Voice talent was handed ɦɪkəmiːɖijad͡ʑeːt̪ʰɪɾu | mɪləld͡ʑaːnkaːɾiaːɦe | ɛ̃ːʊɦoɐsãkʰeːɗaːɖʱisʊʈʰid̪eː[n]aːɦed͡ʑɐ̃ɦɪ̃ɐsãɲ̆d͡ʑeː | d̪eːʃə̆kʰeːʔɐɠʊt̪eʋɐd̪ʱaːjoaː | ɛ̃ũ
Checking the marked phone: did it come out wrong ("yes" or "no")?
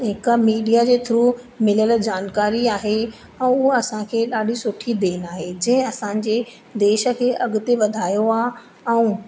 no